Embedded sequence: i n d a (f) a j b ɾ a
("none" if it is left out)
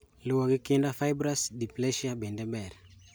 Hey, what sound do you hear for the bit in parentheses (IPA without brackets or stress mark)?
f